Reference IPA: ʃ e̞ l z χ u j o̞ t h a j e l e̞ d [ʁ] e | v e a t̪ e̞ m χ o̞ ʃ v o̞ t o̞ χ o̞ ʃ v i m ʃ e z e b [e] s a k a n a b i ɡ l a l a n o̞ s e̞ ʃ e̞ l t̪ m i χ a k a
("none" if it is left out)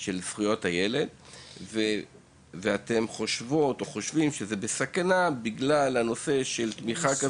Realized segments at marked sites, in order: v, e

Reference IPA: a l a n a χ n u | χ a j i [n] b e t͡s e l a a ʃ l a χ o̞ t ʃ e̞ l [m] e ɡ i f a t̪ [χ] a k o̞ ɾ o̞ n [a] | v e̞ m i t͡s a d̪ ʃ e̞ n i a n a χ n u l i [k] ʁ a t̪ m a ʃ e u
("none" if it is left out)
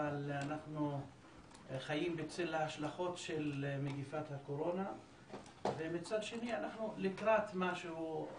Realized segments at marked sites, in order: m, m, h, a, k

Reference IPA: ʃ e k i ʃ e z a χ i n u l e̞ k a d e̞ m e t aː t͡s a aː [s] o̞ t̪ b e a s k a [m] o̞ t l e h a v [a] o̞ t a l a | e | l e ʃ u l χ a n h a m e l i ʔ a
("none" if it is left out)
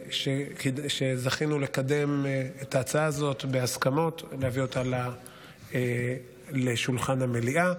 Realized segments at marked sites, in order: z, m, i

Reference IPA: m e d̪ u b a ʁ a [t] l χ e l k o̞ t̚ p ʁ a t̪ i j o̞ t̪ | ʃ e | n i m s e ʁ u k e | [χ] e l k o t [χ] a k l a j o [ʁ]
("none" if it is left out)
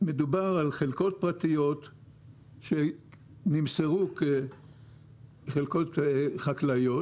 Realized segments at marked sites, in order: none, χ, χ, none

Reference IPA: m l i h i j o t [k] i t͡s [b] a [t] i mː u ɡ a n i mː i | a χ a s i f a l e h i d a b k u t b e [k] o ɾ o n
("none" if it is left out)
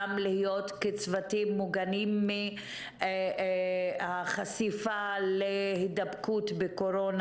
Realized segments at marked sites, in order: k, v, t, k

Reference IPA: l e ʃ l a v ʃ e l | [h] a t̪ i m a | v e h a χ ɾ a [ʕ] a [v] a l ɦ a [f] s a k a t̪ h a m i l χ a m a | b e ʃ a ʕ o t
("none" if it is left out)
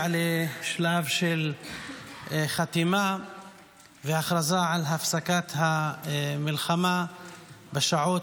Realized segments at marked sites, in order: χ, z, ʕ, f

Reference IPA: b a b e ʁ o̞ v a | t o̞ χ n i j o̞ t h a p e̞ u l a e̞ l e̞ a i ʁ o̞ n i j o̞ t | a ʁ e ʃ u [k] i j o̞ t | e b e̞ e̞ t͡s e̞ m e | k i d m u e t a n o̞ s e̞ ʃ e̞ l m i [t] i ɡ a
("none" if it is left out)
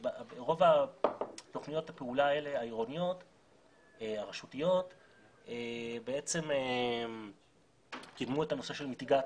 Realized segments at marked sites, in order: t, t

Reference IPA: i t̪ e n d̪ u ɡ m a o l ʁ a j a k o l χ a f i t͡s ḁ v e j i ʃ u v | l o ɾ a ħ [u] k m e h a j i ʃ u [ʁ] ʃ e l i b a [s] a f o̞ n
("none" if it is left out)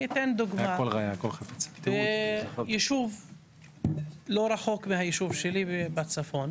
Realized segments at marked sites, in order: o, v, t͡s

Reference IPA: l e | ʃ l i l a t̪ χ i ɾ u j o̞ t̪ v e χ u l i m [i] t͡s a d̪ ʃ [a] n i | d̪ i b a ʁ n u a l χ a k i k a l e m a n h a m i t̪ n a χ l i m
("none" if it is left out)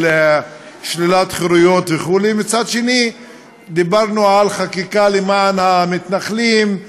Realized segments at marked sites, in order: i, e

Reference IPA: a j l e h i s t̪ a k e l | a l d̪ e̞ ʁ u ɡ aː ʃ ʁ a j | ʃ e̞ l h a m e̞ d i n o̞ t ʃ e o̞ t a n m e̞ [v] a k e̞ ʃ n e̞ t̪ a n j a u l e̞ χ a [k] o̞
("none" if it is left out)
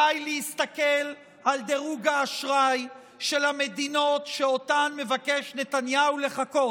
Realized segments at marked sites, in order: v, k

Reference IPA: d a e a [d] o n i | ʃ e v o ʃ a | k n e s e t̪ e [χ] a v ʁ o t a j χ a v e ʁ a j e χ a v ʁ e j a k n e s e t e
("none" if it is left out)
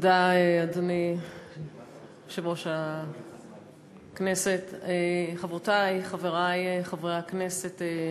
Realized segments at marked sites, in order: d, χ

